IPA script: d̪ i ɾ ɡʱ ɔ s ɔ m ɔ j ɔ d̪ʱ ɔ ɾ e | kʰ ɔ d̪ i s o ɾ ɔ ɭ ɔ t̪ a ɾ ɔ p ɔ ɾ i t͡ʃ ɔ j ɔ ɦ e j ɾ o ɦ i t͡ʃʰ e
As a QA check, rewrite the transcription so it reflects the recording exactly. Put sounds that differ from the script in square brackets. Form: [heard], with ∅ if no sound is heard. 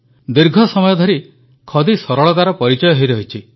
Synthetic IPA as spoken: d̪ i ɾ ɡʱ ɔ s ɔ m ɔ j ɔ d̪ʱ ɔ ɾ [i] | kʰ ɔ d̪ i s [ɔ] ɾ ɔ ɭ ɔ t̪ a ɾ ɔ p ɔ ɾ i t͡ʃ ɔ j ɔ ɦ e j ɾ [ɔ] ɦ i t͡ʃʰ [i]